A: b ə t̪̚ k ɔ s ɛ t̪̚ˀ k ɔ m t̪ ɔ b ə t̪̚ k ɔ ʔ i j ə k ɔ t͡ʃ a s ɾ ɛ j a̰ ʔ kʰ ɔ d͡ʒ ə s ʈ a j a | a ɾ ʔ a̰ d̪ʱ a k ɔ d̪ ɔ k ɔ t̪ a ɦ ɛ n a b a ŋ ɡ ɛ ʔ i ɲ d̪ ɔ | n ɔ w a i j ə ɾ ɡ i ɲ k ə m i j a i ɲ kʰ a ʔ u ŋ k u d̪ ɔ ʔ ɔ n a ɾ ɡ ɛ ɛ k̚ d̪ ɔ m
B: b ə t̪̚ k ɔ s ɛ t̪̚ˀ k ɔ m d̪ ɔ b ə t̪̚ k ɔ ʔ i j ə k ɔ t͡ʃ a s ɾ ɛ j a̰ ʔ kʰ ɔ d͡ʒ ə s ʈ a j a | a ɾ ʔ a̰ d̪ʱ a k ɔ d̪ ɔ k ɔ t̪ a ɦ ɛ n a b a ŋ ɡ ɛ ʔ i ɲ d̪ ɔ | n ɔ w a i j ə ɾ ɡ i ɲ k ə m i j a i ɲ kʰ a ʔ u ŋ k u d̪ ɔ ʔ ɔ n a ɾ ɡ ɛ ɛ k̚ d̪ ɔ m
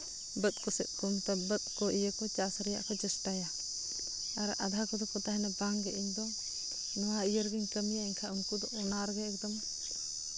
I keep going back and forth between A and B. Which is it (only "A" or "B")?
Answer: A